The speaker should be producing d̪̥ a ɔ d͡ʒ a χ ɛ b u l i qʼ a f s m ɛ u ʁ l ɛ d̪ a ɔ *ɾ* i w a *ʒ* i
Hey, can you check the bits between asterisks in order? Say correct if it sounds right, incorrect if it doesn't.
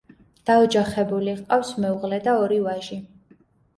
correct, correct

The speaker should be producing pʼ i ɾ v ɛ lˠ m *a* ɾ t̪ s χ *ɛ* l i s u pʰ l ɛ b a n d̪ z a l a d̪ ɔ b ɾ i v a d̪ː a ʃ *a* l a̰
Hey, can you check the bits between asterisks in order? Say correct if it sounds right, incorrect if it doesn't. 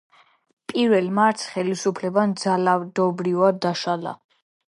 correct, correct, correct

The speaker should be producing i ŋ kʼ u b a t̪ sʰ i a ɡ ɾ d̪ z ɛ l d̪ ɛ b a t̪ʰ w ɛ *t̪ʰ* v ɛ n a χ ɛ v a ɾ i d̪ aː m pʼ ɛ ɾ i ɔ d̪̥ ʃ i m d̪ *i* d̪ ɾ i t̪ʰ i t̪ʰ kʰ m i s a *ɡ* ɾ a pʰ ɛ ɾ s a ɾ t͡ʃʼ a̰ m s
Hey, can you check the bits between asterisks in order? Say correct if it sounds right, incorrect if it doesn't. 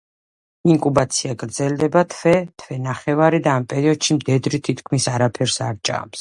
correct, incorrect, incorrect

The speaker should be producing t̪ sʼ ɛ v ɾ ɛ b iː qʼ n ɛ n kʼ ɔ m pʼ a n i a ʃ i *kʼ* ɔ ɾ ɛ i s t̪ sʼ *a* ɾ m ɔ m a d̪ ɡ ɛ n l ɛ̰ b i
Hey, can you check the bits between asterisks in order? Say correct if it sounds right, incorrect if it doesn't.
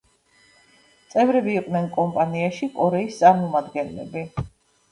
correct, correct

